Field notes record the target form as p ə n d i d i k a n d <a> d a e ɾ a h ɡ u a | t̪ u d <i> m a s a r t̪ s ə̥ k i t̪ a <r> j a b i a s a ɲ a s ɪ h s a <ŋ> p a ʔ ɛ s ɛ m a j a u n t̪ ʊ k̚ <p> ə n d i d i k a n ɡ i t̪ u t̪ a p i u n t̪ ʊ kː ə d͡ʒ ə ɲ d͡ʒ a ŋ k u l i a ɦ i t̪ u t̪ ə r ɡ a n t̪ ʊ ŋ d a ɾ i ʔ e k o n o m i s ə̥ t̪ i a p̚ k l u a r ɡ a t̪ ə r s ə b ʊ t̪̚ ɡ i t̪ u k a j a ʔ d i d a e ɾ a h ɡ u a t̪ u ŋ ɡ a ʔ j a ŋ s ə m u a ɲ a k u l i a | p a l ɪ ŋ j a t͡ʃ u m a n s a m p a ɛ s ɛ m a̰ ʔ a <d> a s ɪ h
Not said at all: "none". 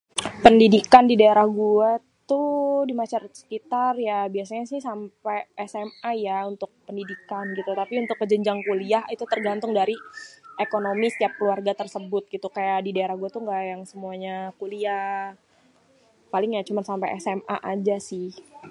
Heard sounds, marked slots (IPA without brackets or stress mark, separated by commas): i, i, r, m, p, d͡ʒ